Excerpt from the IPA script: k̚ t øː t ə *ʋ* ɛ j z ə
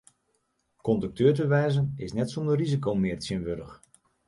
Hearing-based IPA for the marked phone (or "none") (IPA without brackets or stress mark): ʋ